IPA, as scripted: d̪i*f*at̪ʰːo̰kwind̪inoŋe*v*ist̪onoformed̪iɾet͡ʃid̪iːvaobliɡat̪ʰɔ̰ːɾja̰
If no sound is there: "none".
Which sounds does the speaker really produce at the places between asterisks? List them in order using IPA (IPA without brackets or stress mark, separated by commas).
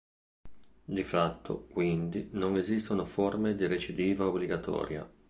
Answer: f, z